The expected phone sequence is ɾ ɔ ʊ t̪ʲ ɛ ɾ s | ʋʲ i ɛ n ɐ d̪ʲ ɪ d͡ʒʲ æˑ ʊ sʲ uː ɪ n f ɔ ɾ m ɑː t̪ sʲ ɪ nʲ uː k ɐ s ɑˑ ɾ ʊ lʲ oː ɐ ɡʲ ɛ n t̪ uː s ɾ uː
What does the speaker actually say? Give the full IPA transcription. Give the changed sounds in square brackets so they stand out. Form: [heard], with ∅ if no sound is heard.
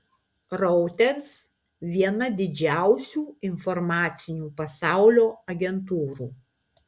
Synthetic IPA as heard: ɾ ɔ ʊ t̪ʲ ɛ ɾ s | ʋʲ i ɛ n ɐ d̪ʲ ɪ d͡ʒʲ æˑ ʊ sʲ uː ɪ n f ɔ ɾ m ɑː t̪ sʲ ɪ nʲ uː [p] ɐ s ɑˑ [∅] ʊ lʲ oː ɐ ɡʲ ɛ n t̪ uː [∅] ɾ uː